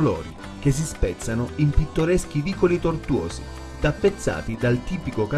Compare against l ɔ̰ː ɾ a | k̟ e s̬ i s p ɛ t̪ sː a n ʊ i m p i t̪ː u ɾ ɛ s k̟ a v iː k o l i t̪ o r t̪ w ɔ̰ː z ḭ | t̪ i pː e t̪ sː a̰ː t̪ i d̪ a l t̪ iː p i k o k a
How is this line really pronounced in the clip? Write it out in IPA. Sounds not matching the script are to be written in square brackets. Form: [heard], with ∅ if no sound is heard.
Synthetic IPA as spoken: l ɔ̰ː ɾ [i] | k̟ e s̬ i s p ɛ t̪ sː a n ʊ i m p i t̪ː [o] ɾ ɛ s k̟ [i] v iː k o l i t̪ o r t̪ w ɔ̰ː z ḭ | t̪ [a] pː e t̪ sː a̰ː t̪ i d̪ a l t̪ iː p i k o k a